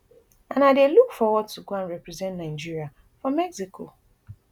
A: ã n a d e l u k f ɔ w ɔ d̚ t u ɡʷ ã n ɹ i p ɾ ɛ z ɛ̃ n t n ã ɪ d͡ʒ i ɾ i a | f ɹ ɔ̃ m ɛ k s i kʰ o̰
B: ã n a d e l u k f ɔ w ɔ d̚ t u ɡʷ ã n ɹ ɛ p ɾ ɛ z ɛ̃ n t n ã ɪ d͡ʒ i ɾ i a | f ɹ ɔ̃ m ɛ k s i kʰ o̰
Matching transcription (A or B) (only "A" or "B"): B